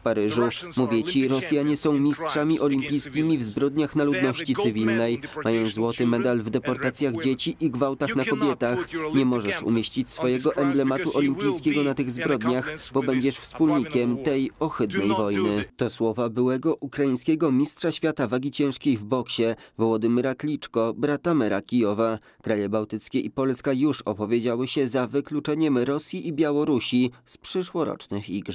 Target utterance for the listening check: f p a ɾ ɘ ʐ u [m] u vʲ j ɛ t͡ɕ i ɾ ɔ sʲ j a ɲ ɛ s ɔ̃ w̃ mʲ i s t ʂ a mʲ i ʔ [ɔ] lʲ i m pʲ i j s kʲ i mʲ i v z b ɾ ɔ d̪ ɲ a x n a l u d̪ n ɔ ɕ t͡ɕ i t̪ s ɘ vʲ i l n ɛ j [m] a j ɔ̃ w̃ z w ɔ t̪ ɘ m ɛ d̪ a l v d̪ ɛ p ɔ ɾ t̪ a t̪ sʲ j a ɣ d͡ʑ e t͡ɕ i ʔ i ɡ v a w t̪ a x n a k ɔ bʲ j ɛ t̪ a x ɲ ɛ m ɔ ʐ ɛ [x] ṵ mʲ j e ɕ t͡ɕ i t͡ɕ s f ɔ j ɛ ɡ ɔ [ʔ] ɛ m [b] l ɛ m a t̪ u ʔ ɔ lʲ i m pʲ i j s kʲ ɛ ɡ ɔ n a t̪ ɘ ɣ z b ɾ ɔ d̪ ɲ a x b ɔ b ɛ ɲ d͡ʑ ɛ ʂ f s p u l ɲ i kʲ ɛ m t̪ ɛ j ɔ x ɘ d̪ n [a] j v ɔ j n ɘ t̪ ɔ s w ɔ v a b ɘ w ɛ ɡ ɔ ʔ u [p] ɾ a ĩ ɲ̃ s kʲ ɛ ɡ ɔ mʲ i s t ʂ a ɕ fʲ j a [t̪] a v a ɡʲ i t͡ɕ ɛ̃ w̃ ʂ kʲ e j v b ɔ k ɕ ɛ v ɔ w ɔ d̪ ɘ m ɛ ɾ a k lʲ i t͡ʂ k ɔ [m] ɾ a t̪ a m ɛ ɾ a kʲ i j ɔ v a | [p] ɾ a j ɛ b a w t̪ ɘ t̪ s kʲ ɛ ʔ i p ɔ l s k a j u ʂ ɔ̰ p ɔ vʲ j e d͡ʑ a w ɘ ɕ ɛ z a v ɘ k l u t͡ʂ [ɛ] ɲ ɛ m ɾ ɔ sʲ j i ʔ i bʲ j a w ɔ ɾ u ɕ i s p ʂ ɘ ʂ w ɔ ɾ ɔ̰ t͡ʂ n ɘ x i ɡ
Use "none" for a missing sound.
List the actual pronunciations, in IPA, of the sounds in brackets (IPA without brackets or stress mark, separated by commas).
m, ɔ, m, ʂ, ʔ, b, ɛ, k, t̪, b, k, ɛ